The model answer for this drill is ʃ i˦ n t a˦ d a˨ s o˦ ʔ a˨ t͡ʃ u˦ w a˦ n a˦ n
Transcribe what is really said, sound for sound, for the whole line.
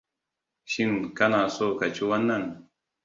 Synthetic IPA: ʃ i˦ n k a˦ n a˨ s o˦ k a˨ t͡ʃ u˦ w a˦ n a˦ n

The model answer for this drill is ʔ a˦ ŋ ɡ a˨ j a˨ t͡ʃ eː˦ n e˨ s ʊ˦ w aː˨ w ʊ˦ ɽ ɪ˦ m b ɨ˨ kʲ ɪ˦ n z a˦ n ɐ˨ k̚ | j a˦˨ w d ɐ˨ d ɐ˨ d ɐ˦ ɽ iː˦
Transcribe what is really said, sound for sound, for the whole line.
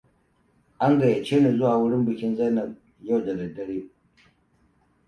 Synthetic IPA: ʔ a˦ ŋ ɡ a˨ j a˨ t͡ʃ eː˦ n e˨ z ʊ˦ w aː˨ w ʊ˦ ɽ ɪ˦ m b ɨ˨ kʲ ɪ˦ n z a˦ n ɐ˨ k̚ | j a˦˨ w d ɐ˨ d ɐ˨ d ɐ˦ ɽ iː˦

